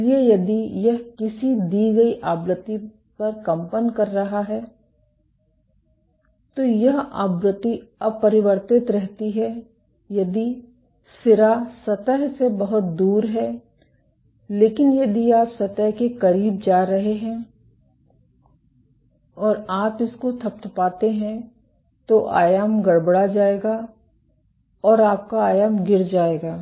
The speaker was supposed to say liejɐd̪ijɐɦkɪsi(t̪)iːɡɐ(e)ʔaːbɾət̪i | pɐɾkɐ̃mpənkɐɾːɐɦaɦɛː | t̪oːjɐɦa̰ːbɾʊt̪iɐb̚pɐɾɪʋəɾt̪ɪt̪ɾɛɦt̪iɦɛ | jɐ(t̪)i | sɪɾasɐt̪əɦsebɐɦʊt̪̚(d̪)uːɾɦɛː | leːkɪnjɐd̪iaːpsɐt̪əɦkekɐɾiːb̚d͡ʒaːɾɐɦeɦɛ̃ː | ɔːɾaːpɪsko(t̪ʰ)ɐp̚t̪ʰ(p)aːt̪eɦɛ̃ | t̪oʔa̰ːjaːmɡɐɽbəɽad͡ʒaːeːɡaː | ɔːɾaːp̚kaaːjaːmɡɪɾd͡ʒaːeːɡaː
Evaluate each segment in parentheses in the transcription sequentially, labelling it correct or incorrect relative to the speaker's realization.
incorrect: d̪, incorrect: i, incorrect: d̪, correct, correct, correct

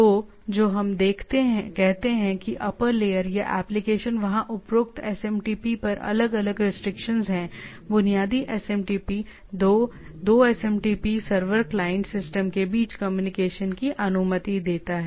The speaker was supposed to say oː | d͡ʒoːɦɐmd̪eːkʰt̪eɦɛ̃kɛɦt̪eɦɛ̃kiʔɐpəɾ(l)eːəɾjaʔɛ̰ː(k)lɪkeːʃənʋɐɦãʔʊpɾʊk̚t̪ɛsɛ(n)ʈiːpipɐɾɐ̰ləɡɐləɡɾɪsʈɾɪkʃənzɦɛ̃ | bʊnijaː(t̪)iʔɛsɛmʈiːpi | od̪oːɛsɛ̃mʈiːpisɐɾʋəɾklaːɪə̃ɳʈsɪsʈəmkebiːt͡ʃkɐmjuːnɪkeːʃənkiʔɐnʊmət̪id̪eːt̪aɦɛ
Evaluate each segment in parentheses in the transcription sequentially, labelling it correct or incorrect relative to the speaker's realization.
correct, incorrect: p, incorrect: m, incorrect: d̪

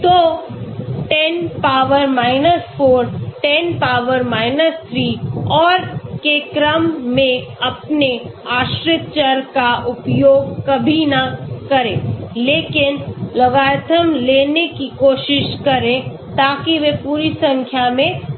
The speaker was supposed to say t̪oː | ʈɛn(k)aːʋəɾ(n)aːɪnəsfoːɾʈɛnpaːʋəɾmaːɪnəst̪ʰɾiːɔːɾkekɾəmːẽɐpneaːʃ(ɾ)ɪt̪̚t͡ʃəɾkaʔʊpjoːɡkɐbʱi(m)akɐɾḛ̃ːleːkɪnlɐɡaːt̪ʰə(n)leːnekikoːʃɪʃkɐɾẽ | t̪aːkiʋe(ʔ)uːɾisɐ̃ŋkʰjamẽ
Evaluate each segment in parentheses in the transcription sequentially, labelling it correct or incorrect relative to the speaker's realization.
incorrect: p, incorrect: m, correct, incorrect: n, incorrect: m, incorrect: p

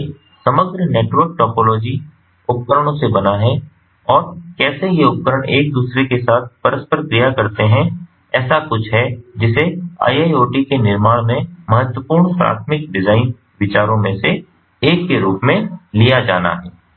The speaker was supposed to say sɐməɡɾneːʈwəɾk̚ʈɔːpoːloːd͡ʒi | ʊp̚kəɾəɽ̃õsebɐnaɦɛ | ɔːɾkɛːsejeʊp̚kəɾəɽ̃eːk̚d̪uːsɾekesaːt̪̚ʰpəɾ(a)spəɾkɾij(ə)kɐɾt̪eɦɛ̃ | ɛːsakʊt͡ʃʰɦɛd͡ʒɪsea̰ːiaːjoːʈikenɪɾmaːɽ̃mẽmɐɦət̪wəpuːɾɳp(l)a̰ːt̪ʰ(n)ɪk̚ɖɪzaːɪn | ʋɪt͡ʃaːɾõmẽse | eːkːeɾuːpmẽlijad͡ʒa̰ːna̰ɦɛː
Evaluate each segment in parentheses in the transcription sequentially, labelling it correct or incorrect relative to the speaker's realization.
incorrect: ə, incorrect: a, incorrect: ɾ, incorrect: m

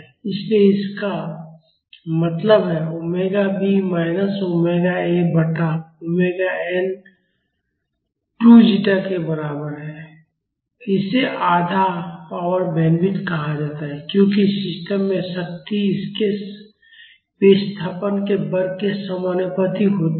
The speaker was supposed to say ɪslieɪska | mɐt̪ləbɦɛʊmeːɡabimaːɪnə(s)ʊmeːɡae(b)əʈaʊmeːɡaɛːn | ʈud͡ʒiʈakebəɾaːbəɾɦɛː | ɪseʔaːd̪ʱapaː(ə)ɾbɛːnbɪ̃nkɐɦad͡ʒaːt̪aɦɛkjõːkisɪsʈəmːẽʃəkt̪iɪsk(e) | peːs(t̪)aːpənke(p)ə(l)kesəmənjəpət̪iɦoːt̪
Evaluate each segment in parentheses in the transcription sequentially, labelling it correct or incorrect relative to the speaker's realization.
correct, correct, correct, correct, incorrect: t̪ʰ, incorrect: b, incorrect: ɾ

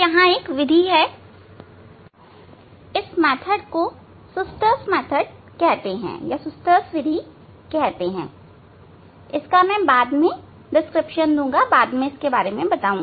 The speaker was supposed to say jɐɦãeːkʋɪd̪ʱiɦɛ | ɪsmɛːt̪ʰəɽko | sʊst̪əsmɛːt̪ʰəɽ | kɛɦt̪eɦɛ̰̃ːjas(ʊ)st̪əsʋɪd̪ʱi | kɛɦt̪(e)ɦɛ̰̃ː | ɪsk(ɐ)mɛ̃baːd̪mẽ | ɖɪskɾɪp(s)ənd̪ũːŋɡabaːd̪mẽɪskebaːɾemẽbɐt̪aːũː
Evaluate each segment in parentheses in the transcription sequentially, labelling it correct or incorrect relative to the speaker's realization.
correct, correct, incorrect: a, incorrect: ʃ

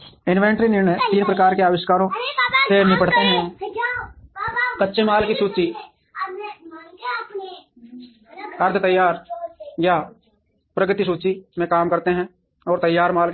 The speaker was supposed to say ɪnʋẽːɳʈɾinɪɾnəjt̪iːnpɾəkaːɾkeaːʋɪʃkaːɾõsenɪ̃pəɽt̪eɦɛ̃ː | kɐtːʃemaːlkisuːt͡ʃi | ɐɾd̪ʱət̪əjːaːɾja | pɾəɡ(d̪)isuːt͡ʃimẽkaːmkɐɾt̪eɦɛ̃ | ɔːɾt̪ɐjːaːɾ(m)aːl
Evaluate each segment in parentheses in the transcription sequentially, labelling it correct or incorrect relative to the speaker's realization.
incorrect: t̪, correct

